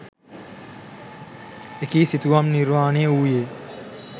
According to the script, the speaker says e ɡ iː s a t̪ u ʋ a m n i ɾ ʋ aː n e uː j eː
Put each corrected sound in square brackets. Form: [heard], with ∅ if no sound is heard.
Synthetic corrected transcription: e [k] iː s [i] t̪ u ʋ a m n i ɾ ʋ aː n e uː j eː